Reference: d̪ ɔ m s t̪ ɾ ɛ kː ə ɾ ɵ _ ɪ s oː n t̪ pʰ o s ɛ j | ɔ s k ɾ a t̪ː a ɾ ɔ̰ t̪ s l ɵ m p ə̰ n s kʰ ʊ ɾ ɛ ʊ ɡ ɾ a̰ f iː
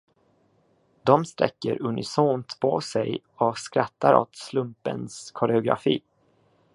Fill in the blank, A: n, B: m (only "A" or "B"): A